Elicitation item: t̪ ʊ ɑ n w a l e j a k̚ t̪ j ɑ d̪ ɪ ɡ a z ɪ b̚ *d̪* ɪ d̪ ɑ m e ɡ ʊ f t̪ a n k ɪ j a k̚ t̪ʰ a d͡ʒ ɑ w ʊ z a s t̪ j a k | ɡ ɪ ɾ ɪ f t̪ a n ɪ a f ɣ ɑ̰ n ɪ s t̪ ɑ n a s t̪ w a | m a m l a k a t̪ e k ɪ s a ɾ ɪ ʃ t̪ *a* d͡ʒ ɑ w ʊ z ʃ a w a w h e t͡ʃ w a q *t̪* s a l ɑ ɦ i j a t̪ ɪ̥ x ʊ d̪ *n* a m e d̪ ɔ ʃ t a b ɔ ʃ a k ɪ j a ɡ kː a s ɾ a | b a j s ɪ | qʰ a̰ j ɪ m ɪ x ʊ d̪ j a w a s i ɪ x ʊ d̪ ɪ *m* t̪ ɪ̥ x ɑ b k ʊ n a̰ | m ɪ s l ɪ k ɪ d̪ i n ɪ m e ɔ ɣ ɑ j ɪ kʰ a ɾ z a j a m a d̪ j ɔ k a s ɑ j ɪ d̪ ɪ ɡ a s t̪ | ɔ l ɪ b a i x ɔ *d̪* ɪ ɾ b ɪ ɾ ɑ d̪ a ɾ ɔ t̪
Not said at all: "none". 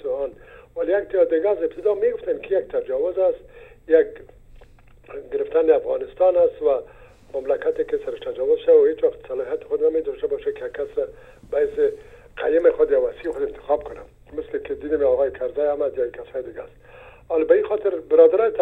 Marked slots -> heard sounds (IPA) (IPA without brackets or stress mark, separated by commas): t̪, a, t̪, n, n, t̪